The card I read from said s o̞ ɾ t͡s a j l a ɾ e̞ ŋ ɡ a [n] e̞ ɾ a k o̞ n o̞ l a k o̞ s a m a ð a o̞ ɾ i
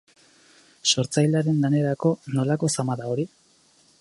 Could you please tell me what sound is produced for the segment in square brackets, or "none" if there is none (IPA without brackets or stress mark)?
n